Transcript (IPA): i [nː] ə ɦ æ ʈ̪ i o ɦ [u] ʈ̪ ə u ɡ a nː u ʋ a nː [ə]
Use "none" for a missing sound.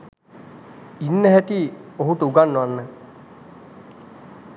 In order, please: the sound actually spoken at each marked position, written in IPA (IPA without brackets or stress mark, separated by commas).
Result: nː, u, ə